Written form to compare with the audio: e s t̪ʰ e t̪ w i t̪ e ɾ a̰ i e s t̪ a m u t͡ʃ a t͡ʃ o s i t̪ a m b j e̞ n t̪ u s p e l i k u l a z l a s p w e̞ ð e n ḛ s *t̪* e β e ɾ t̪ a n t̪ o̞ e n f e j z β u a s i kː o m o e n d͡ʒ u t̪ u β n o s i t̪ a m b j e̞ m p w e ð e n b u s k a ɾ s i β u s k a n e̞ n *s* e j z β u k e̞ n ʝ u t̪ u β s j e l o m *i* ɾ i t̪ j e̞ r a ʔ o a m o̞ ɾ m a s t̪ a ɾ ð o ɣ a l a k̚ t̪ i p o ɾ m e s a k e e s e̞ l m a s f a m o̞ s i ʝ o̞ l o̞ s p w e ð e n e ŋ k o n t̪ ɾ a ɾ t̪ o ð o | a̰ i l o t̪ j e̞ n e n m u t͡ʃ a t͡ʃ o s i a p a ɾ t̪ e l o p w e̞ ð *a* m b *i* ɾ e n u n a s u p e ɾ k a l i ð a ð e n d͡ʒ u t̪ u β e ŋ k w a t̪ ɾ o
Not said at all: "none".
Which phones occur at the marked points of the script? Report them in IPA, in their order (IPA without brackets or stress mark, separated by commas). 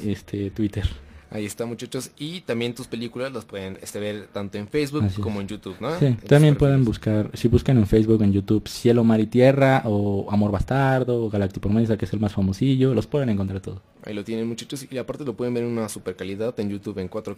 t̪, f, a, e, e